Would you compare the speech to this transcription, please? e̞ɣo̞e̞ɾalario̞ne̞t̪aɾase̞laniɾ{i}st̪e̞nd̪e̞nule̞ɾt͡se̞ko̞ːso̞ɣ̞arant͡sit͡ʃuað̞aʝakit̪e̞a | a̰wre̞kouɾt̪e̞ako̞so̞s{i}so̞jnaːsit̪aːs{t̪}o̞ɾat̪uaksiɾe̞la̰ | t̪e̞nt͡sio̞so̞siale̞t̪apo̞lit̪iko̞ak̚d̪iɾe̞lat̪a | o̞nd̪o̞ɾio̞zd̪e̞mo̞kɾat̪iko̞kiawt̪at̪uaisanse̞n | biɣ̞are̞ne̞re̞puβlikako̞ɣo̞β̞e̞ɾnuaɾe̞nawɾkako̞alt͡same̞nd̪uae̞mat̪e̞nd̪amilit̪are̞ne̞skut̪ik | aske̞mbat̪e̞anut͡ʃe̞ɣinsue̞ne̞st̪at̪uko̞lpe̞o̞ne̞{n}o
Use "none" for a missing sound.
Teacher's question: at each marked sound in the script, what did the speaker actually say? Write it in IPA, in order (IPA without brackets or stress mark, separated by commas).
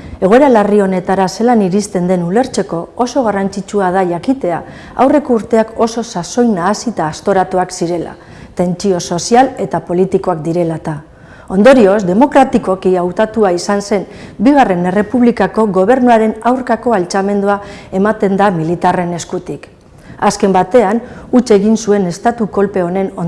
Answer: i, a, t̪, n